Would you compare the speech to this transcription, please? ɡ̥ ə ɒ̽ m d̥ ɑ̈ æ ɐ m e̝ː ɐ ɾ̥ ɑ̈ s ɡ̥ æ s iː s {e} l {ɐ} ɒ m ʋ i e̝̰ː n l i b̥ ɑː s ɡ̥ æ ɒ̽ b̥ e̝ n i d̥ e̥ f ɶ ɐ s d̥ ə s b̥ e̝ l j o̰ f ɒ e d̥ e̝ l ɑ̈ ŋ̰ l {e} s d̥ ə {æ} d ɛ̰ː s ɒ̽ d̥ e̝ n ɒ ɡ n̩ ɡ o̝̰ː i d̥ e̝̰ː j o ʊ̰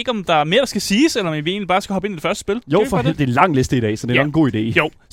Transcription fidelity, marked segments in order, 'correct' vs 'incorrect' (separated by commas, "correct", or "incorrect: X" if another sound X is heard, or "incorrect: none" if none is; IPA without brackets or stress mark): correct, correct, correct, incorrect: i